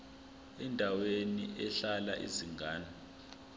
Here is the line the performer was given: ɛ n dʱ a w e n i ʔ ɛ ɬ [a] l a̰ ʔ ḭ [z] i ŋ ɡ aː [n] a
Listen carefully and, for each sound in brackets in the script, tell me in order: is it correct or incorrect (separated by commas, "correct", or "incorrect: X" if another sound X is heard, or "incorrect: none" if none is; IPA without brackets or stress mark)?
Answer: correct, correct, correct